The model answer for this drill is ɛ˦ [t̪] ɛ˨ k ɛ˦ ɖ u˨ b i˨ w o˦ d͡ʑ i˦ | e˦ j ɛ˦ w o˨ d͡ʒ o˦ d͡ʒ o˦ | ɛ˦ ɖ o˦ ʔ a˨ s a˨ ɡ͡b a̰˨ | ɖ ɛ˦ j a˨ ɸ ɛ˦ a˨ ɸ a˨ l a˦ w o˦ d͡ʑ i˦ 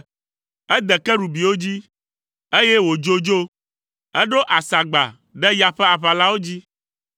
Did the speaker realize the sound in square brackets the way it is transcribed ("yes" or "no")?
no